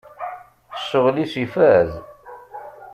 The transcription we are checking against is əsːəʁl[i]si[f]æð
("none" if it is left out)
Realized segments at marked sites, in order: i, f

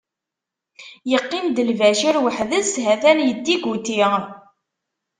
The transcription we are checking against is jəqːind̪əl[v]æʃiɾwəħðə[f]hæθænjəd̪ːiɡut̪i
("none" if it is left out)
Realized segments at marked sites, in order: v, s

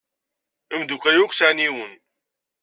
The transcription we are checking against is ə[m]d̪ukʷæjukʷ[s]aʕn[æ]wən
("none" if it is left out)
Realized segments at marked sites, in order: m, s, i

